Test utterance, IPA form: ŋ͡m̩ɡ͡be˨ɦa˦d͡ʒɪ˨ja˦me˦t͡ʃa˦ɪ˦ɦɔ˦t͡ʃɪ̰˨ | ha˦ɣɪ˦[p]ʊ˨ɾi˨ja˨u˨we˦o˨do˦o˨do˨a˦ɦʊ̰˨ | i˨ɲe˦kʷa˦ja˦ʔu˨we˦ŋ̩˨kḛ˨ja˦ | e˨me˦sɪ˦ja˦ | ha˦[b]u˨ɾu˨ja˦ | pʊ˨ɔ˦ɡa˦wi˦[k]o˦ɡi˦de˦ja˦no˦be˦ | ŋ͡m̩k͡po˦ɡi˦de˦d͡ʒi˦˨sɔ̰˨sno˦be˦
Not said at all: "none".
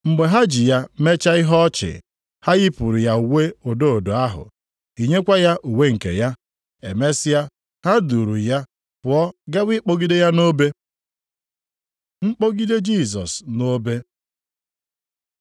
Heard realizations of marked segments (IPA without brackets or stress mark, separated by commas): p, d, k͡p